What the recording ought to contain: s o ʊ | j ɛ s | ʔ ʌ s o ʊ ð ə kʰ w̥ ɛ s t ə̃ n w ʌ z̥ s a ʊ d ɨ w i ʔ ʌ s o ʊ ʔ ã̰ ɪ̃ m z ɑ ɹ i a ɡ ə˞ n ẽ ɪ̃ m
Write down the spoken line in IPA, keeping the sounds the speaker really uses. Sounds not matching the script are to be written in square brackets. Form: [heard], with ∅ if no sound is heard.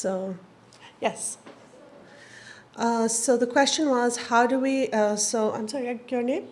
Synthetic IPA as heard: s o ʊ | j ɛ s | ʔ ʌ s o ʊ ð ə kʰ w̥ ɛ s [t͡ʃ] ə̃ n w ʌ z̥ [h] a ʊ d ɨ w i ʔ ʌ s o ʊ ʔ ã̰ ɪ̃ m [s] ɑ ɹ i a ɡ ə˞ n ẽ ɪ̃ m